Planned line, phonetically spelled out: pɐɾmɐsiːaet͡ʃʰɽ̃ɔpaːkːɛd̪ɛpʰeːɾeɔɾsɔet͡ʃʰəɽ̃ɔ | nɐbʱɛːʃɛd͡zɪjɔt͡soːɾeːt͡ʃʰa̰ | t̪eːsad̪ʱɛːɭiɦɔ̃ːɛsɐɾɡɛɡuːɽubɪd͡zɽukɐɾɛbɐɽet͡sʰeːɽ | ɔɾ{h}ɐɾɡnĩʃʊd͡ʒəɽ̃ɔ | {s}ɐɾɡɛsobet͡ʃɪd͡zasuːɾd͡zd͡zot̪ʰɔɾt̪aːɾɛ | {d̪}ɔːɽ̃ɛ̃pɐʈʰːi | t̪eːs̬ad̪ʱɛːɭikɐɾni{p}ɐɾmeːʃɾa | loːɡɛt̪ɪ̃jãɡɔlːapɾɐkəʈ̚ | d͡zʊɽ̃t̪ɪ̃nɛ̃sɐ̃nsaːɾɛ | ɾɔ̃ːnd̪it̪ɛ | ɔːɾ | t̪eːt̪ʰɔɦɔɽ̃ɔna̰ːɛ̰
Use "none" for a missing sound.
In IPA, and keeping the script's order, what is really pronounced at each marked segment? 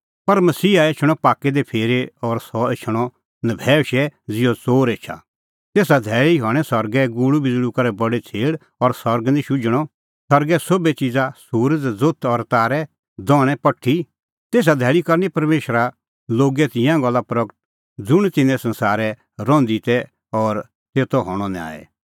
s, s, d̪, p

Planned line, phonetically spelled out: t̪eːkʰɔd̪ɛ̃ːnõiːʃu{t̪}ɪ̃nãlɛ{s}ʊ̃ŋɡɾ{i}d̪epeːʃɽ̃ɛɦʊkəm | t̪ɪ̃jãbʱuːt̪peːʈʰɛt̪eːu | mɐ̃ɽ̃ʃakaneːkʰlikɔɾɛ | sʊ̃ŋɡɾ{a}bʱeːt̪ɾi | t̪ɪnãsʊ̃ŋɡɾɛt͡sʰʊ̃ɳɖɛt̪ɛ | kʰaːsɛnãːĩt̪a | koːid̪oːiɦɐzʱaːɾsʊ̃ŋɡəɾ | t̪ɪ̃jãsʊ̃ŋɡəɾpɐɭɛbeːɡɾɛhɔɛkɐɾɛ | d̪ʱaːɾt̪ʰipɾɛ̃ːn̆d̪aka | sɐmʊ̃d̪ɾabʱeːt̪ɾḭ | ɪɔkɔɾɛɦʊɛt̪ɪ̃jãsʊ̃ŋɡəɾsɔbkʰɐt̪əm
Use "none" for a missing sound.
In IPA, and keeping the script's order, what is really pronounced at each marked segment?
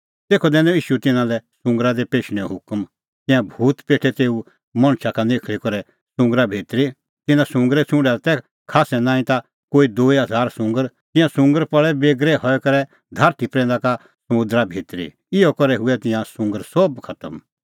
t̪, s, a, a

